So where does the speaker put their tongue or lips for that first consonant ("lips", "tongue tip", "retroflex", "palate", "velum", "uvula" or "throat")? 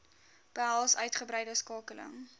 lips